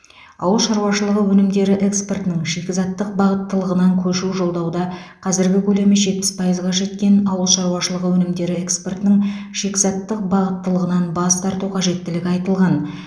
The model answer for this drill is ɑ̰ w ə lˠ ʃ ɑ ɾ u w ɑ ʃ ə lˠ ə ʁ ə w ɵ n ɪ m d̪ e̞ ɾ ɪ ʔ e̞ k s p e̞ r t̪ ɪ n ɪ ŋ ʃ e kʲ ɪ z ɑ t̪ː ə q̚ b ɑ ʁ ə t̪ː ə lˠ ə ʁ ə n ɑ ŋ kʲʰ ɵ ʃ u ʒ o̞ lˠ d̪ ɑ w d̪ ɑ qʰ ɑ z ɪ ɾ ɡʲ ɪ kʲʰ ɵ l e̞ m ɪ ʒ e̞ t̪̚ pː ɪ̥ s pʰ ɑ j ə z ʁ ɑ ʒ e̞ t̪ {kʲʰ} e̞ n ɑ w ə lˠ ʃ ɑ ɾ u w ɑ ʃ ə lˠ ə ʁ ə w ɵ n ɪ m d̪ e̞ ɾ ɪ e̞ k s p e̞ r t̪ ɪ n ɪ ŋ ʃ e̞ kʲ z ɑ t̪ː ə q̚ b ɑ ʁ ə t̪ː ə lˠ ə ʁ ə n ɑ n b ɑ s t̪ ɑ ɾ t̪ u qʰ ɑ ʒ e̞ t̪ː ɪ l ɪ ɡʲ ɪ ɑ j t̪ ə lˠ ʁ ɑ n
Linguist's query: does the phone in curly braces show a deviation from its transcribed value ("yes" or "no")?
yes